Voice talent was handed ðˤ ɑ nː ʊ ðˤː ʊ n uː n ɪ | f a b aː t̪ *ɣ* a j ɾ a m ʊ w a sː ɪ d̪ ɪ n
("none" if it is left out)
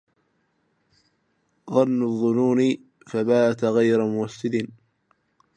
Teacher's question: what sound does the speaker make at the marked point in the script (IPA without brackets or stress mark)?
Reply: ɣ